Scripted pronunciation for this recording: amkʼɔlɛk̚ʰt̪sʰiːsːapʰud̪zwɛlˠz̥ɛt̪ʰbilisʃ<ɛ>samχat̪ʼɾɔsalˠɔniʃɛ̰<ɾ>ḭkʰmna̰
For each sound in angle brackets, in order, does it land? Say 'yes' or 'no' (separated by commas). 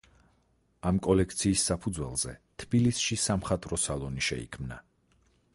no, no